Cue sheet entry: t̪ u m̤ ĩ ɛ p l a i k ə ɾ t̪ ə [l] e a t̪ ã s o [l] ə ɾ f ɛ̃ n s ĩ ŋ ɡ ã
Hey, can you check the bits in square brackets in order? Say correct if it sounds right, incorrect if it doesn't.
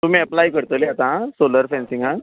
correct, correct

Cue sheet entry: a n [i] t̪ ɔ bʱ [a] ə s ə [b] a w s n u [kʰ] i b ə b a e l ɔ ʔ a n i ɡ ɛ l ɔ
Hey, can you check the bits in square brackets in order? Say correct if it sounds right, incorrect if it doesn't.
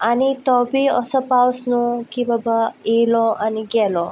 correct, incorrect: i, incorrect: p, incorrect: k

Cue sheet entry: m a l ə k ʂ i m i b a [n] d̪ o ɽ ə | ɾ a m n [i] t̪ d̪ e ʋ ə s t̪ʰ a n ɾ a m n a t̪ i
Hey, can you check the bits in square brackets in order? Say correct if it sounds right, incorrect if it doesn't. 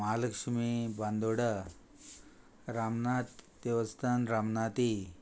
correct, incorrect: a

